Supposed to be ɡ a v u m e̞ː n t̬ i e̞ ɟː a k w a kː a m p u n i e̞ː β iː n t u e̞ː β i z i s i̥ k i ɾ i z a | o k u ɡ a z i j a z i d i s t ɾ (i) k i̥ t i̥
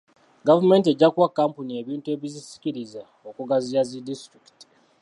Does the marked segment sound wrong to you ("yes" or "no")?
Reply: no